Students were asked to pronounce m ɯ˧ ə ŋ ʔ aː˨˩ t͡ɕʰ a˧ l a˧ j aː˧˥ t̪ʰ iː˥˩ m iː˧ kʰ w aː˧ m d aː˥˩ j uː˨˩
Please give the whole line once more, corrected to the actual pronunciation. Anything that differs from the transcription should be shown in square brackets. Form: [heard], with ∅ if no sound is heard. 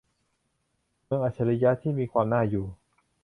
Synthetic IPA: m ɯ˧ ə ŋ ʔ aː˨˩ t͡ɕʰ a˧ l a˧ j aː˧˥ t̪ʰ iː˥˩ m iː˧ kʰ w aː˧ m [n] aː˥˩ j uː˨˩

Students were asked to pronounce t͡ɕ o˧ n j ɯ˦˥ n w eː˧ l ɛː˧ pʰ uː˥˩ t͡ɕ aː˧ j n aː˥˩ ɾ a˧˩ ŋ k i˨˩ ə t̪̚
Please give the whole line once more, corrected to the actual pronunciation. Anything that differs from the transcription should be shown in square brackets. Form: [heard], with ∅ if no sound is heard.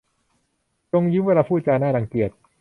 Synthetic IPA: t͡ɕ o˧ [ŋ] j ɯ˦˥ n w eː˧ l [aː˧] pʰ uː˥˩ t͡ɕ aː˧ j n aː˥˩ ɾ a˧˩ ŋ k i˨˩ ə t̪̚

